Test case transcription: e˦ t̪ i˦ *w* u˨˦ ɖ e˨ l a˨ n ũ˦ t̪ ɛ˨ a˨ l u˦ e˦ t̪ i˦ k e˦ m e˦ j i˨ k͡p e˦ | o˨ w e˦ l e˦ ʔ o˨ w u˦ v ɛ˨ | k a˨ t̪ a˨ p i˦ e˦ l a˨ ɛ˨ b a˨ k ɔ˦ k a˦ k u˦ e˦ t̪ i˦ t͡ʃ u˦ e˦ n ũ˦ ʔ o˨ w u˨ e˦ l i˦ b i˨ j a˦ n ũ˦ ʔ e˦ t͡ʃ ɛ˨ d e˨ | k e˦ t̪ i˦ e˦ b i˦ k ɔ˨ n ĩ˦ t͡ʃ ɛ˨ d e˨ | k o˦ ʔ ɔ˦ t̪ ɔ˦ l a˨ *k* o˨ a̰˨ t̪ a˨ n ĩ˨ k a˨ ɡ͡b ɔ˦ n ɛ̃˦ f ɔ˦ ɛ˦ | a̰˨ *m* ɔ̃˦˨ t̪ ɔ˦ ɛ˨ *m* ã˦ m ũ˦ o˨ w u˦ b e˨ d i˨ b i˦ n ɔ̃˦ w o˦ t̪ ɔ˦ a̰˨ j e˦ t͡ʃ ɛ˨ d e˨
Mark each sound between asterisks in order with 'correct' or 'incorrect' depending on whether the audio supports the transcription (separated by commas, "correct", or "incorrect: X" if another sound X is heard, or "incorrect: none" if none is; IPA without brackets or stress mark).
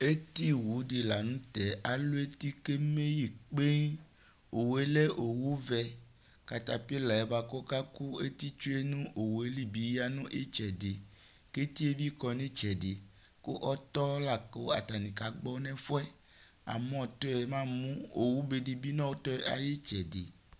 correct, correct, correct, correct